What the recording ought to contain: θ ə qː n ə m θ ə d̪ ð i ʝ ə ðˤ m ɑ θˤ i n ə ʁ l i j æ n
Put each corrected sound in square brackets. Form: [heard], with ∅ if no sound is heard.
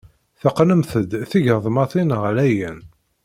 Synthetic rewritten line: θ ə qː n ə m θ ə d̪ [θ] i ʝ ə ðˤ m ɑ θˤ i n ə ʁ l [æ] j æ n